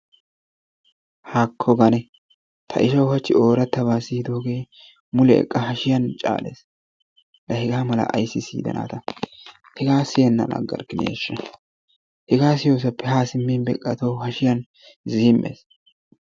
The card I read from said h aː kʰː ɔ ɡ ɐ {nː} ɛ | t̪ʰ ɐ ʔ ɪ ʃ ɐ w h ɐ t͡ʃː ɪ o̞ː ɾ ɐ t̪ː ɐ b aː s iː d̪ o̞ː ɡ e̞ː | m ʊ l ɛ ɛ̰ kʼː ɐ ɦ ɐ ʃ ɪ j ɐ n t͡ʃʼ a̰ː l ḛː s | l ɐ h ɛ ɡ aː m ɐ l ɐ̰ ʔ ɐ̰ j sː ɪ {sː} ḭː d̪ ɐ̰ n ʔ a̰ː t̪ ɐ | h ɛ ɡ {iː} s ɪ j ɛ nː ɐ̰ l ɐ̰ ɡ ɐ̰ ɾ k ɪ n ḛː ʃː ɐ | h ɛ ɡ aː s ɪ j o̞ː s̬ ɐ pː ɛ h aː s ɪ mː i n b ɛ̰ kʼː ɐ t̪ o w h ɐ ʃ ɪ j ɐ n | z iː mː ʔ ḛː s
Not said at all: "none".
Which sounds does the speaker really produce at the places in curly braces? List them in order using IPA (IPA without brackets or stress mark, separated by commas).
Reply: n, s, aː